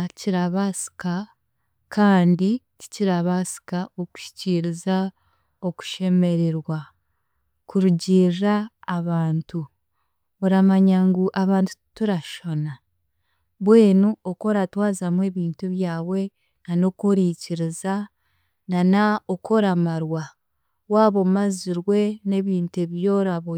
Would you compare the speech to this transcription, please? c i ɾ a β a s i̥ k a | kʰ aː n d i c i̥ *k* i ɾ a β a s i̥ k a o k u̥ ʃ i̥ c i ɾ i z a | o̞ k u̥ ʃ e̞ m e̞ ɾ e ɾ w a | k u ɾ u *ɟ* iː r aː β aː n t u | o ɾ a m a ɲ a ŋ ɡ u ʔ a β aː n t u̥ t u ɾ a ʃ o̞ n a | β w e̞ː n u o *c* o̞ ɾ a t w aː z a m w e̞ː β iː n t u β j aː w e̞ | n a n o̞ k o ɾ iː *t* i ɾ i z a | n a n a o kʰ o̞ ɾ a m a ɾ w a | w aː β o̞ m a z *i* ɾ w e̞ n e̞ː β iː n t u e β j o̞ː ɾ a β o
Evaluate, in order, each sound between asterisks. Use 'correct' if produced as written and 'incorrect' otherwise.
incorrect: c, correct, incorrect: k, incorrect: c, correct

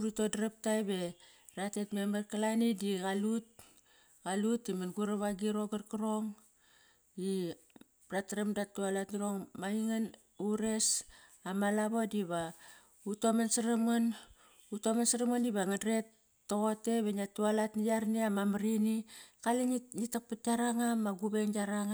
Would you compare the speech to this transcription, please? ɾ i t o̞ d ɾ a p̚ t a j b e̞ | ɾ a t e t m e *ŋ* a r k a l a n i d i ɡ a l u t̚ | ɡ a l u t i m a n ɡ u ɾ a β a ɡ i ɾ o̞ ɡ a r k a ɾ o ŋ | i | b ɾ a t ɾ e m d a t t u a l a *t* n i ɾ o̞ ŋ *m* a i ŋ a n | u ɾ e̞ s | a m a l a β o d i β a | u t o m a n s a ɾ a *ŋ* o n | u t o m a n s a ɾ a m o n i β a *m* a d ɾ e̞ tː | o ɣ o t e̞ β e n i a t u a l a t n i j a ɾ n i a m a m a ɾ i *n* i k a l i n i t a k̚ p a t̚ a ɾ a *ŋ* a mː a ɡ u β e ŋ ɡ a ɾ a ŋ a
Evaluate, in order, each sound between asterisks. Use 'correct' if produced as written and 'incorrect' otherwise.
incorrect: m, correct, correct, incorrect: m, incorrect: ŋ, correct, correct

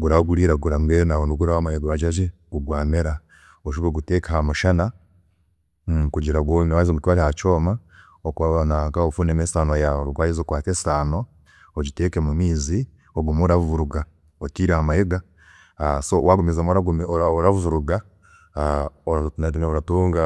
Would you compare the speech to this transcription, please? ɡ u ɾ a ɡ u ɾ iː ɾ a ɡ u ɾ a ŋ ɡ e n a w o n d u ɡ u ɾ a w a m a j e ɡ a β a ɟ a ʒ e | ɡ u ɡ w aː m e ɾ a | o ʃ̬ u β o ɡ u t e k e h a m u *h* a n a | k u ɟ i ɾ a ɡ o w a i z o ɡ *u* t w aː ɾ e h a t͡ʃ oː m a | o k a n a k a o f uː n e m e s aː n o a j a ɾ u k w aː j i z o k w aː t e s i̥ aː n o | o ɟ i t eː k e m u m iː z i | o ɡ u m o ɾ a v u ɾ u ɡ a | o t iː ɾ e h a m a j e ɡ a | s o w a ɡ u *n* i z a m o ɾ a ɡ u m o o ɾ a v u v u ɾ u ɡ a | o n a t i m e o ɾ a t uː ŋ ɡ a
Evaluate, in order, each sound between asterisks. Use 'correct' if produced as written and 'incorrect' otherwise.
incorrect: ʃ, correct, incorrect: m

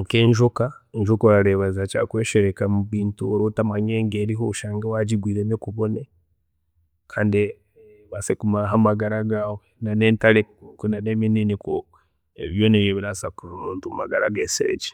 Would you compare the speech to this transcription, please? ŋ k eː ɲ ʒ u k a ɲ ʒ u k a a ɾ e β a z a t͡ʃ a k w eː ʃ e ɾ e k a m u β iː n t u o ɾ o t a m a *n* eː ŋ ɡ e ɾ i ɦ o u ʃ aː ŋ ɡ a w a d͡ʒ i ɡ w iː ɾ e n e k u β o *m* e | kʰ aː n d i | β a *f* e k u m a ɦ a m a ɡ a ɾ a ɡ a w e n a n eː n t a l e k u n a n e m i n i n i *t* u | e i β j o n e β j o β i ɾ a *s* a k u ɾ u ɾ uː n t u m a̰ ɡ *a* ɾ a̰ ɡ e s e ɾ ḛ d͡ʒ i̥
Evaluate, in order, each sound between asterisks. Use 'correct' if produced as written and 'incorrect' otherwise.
incorrect: ɲ, incorrect: n, incorrect: s, incorrect: k, correct, correct

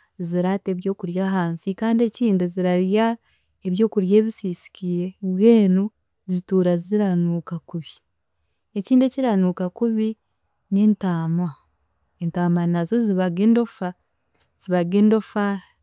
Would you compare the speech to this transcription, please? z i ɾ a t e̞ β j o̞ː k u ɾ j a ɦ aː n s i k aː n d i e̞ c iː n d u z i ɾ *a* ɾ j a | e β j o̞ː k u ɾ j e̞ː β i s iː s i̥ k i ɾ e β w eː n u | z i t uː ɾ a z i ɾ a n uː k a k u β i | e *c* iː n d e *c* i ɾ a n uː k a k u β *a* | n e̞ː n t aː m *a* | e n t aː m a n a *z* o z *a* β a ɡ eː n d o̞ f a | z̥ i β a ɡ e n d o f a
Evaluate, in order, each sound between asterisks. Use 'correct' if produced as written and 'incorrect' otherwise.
correct, correct, correct, incorrect: i, correct, correct, incorrect: i

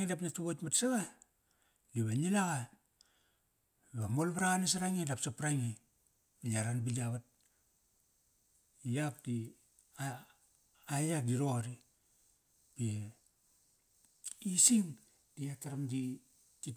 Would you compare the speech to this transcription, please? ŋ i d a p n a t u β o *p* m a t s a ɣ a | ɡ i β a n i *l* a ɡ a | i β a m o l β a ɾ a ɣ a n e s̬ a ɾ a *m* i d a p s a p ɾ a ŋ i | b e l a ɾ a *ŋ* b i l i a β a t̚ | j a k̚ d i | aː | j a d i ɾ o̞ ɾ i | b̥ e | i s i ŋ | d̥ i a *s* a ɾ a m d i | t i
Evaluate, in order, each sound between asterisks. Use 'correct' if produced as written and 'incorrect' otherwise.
incorrect: t, correct, incorrect: ŋ, incorrect: n, incorrect: t

